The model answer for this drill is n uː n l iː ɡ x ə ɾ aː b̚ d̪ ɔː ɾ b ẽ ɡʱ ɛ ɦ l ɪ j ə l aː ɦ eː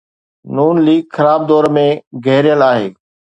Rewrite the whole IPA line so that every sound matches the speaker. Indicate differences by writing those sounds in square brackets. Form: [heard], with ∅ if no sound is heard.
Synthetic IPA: n uː n l iː ɡ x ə ɾ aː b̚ d̪ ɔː ɾ [m] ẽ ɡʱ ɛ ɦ [ɾ] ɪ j ə l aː ɦ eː